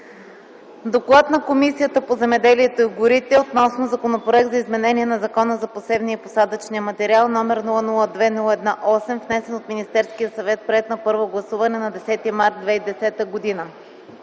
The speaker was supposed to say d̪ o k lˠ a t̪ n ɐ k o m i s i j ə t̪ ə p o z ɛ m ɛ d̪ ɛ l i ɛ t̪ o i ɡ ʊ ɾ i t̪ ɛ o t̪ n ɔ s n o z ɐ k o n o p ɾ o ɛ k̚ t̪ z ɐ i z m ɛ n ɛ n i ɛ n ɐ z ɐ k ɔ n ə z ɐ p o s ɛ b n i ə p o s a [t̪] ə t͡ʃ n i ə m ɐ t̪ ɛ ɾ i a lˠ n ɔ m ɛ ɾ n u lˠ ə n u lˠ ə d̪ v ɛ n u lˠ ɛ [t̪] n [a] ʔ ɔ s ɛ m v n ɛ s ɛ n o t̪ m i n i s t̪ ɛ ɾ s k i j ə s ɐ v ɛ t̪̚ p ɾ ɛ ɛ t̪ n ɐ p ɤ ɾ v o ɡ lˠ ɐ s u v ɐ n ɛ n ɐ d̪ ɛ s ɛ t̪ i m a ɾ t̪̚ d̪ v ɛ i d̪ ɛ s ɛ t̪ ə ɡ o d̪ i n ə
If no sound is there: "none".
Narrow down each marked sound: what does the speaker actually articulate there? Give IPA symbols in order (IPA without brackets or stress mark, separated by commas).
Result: d̪, d̪, a